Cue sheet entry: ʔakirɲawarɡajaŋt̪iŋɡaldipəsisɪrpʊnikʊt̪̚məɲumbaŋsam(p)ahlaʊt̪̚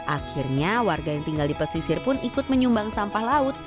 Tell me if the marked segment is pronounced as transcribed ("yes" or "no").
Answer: yes